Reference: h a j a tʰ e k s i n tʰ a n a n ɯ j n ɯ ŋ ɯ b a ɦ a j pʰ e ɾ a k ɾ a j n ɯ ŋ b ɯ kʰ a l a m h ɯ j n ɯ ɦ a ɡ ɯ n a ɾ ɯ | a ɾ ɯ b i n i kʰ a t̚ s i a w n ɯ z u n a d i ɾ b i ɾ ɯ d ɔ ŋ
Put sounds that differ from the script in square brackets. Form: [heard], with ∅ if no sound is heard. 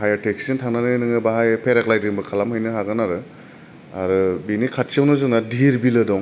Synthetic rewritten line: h a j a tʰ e k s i n tʰ a n a n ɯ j n ɯ ŋ ɯ b a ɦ a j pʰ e ɾ a k [l] a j [d] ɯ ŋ b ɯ kʰ a l a m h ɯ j n ɯ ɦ a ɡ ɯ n a ɾ ɯ | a ɾ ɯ b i n i kʰ a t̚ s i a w n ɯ z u n a d i ɾ b i [l] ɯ d ɔ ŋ